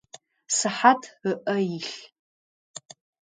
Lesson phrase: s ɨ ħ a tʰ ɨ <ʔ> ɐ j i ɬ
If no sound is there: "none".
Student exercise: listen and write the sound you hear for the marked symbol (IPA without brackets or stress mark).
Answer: ʔ